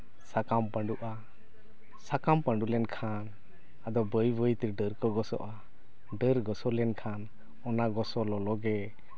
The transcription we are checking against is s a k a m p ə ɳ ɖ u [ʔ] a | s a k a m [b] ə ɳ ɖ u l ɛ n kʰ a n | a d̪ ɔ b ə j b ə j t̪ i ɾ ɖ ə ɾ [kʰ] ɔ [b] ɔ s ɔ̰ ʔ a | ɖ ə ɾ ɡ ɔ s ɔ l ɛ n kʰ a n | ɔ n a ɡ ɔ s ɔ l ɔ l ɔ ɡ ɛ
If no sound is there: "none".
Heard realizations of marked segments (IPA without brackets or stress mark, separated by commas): ʔ, p, k, ɡ